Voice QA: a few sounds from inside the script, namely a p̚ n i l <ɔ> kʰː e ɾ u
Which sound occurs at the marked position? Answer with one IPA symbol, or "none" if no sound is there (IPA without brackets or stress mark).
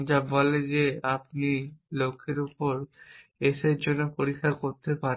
o